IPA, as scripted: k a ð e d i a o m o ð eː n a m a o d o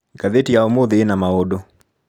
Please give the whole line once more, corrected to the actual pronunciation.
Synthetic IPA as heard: k a ð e t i a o m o ð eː n a m a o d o